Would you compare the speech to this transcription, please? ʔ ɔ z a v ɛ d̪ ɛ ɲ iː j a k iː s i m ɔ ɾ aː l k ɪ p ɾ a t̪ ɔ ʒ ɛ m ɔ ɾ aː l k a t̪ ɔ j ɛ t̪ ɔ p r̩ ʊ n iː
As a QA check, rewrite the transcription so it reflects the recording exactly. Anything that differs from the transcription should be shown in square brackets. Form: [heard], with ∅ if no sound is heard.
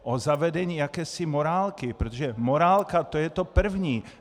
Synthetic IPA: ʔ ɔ z a [ʋ] ɛ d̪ ɛ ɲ iː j a k [ɛː] s i m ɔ ɾ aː l k [i] p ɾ [ɛ] t̪ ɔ ʒ ɛ m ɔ ɾ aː l k a t̪ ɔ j ɛ t̪ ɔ p r̩ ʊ [ɲ] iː